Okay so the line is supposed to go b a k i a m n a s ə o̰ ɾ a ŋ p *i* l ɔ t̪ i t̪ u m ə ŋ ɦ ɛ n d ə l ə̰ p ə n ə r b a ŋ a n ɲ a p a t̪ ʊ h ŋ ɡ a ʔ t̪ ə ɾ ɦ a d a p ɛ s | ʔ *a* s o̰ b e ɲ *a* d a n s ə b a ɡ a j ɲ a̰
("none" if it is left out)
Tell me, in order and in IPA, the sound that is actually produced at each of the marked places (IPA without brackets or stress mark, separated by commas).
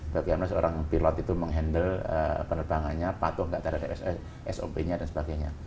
i, ɛ, a